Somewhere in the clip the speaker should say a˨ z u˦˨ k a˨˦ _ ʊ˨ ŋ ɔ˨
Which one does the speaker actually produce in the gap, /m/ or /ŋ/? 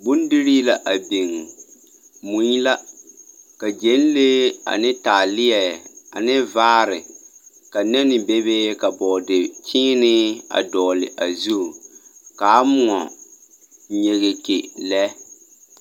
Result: m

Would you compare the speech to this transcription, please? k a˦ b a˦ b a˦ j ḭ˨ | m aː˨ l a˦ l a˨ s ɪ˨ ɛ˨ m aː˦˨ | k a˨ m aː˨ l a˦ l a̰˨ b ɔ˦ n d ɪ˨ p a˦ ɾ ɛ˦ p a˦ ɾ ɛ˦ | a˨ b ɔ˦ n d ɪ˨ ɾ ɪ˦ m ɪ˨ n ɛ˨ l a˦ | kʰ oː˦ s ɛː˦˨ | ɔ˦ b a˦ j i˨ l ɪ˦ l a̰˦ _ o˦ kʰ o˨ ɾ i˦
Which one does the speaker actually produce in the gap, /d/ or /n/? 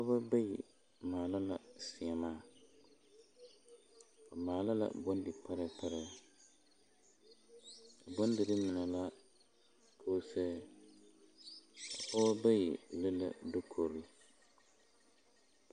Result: d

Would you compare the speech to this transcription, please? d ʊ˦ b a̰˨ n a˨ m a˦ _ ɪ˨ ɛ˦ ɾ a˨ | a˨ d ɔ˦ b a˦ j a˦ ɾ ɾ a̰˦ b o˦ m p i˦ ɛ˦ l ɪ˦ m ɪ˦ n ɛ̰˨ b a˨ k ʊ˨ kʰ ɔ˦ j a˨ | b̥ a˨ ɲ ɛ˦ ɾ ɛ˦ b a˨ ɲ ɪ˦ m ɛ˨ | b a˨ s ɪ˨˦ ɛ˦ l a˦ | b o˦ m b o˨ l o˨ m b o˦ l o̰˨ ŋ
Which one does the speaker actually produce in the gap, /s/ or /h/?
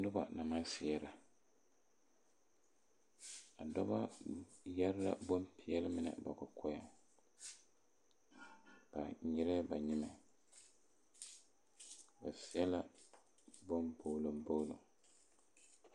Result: s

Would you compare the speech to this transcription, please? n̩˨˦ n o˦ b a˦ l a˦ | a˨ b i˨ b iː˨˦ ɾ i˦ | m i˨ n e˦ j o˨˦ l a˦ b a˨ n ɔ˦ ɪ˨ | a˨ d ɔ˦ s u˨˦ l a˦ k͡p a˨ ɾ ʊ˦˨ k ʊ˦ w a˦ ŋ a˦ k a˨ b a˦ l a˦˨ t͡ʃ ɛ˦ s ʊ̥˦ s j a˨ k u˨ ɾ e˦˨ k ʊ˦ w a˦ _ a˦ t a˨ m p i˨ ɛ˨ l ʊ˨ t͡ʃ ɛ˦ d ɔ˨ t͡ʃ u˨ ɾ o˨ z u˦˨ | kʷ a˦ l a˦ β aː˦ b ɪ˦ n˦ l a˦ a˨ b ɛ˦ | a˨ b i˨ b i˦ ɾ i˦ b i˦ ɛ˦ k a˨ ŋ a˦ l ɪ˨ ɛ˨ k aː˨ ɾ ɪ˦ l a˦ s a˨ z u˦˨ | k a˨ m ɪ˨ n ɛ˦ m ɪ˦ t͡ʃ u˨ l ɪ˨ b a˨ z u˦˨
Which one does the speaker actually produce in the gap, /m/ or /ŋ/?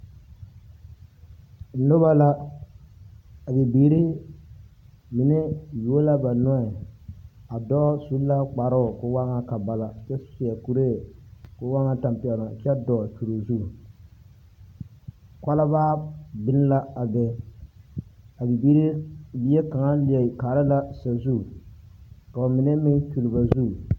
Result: ŋ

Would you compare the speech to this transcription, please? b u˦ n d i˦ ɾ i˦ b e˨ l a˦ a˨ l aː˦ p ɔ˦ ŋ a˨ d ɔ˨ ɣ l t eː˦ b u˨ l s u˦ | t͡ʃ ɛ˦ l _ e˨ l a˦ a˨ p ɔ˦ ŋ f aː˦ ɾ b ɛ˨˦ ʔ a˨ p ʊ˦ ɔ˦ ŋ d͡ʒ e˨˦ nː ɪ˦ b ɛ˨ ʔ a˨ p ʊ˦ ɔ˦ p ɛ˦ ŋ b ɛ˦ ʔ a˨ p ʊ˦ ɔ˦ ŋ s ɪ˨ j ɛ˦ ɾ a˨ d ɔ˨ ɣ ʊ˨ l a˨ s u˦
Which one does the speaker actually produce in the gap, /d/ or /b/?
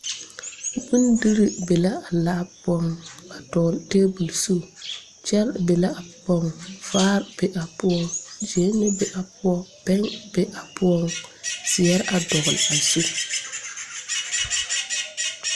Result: b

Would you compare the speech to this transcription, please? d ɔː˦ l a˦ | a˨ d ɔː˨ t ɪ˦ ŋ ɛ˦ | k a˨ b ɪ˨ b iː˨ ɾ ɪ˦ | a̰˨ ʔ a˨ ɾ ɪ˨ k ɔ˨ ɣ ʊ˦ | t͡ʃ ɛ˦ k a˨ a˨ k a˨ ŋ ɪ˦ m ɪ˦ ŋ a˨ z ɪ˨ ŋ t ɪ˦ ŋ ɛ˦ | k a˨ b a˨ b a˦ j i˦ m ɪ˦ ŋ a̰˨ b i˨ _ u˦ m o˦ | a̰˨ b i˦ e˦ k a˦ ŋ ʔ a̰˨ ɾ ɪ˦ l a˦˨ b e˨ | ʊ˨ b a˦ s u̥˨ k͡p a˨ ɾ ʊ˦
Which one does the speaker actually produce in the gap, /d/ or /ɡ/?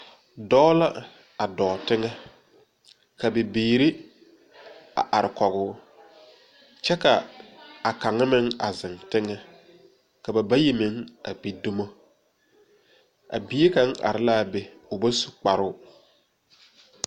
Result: d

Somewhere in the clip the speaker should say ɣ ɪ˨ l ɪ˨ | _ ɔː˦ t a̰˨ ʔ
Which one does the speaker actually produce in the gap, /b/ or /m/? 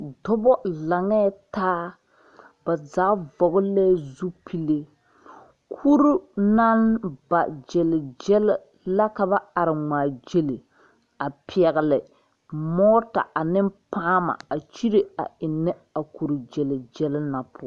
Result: m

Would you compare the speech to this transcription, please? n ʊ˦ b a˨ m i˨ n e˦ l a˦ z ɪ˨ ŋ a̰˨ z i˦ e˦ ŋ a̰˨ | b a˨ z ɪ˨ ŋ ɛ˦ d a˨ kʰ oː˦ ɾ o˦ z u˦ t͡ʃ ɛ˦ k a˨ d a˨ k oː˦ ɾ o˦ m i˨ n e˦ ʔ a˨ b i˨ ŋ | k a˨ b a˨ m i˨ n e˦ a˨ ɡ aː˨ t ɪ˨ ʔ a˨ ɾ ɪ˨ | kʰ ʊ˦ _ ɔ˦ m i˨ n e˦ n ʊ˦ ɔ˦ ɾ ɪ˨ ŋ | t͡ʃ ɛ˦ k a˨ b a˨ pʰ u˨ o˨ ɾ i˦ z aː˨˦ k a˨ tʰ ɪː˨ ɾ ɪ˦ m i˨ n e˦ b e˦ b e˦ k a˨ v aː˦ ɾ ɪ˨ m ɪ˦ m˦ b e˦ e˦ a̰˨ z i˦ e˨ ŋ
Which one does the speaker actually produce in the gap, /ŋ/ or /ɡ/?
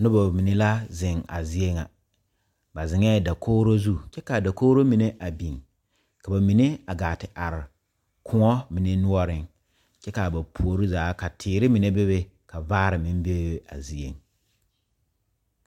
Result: ŋ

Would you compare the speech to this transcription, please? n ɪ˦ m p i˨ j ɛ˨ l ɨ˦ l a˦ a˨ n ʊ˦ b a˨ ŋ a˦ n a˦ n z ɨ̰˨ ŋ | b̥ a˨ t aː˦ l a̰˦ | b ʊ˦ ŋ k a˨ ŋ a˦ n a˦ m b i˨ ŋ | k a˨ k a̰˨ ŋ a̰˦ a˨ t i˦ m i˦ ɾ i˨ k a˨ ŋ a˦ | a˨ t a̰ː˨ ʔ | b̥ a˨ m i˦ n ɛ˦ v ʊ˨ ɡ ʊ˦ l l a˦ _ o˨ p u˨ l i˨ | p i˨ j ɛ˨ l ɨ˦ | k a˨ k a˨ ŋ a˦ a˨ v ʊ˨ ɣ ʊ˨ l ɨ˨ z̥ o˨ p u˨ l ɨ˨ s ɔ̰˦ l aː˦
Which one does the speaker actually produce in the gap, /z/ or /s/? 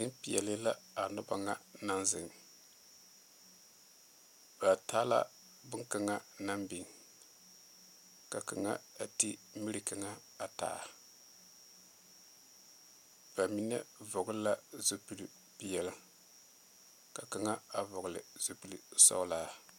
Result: z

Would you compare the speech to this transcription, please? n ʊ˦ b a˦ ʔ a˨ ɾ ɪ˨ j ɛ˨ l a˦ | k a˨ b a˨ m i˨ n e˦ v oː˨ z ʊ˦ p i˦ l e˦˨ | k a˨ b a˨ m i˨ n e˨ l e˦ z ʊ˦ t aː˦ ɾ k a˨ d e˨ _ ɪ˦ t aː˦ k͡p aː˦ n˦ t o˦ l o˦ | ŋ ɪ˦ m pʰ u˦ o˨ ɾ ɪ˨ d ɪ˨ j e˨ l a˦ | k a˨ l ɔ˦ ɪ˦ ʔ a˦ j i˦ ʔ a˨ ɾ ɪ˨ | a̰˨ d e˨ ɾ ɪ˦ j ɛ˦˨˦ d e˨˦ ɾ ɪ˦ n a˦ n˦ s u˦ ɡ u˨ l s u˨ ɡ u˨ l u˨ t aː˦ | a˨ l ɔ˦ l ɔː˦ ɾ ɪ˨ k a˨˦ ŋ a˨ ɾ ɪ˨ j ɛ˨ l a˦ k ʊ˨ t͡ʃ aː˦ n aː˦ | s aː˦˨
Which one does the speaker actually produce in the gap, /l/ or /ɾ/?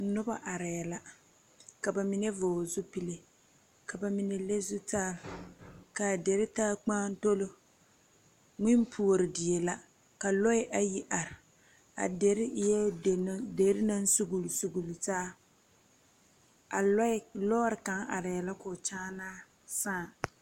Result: ɾ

